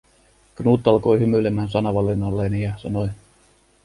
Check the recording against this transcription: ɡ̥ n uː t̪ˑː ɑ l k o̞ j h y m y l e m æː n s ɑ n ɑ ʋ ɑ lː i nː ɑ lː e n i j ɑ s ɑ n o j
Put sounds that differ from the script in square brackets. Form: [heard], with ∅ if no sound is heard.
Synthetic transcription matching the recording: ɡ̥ n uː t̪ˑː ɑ l k o̞ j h y m y l e m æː n s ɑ n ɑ ʋ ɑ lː i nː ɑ lː e n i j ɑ s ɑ n o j